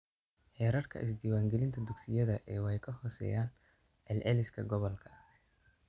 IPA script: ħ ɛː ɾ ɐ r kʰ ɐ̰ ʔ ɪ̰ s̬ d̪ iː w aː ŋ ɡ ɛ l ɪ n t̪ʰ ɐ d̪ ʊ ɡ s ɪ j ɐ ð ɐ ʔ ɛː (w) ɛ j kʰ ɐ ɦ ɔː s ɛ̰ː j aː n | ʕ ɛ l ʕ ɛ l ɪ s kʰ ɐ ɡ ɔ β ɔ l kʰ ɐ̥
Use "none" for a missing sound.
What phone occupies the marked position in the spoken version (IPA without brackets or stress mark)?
w